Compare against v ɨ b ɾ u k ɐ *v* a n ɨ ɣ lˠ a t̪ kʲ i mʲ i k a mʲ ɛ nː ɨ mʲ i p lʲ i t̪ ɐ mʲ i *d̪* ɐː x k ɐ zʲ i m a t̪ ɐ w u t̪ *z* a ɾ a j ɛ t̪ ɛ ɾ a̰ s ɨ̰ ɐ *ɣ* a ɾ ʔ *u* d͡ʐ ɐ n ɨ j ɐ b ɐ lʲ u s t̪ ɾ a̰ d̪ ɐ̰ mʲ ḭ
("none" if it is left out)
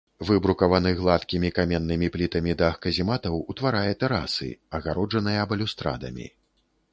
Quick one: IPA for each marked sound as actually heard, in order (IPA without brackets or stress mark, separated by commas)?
v, d̪, v, ɣ, ɔ